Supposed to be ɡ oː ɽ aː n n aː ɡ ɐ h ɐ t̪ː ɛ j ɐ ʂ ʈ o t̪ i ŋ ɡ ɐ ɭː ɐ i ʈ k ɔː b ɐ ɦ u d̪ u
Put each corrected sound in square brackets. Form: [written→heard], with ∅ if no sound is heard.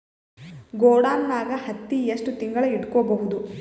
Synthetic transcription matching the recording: ɡ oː ɽ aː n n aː ɡ ɐ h ɐ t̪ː [ɛ→i] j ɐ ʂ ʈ [o→u] t̪ i ŋ ɡ ɐ [ɭː→ɭ] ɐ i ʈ k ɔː b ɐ ɦ u d̪ u